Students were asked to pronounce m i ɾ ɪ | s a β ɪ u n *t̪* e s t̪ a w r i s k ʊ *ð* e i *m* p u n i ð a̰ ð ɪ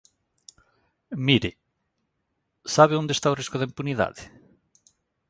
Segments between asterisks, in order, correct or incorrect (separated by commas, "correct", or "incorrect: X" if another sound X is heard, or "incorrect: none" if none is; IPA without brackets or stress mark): incorrect: d̪, correct, correct